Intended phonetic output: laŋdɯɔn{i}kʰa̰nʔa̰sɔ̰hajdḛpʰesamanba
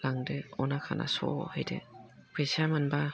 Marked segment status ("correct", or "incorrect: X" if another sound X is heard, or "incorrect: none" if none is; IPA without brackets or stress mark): incorrect: a